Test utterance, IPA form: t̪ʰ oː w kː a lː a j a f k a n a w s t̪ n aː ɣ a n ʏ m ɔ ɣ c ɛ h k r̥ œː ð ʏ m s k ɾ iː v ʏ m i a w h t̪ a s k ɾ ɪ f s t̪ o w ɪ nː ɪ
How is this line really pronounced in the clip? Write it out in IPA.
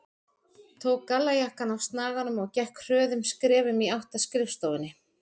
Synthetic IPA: t̪ʰ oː w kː a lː a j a h k a n a w s t̪ n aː ɣ a n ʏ m ɔ ɣ c ɛ h k r̥ œː ð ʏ m s k ɾ ɛː v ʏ m i a w h t̪ a s k ɾ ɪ f s t̪ o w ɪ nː ɪ